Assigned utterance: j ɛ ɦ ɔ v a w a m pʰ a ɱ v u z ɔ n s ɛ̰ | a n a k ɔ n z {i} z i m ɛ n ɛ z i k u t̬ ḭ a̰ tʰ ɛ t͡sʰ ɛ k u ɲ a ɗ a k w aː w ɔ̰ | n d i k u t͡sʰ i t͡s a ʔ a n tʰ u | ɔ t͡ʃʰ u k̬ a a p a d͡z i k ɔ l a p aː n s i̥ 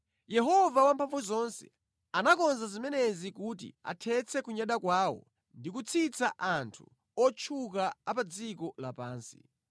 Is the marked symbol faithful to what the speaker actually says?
no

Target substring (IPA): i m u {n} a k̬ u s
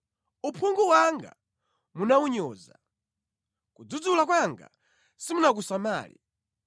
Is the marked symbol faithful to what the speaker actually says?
yes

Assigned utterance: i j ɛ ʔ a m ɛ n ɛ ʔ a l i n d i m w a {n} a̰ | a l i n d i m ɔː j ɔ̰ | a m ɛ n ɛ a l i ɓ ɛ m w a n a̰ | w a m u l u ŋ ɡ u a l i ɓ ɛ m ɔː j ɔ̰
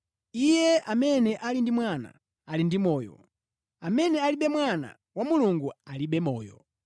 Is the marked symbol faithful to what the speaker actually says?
yes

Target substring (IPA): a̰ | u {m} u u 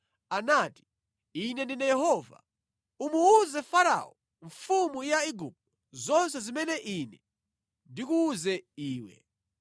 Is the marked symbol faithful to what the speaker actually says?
yes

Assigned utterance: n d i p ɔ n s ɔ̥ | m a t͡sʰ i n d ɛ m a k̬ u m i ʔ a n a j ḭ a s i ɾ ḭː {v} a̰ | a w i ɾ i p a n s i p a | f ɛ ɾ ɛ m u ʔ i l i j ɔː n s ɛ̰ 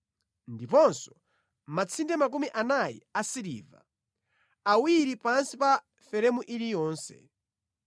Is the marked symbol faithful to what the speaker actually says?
yes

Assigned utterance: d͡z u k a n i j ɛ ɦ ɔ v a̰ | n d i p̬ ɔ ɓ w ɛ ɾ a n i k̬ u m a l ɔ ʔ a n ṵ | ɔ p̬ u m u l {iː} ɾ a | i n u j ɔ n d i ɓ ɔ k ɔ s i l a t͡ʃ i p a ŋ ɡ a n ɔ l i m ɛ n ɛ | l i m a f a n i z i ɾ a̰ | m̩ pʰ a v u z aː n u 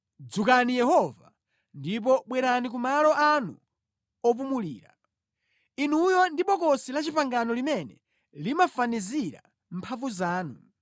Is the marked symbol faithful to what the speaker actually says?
yes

